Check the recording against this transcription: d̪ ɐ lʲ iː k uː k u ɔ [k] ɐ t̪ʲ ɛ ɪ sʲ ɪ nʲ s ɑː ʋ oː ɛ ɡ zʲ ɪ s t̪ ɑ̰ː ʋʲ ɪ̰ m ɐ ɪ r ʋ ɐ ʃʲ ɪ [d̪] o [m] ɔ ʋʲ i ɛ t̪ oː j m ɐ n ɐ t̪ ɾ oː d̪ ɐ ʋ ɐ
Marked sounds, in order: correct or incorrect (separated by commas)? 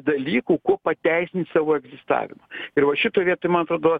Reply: incorrect, incorrect, incorrect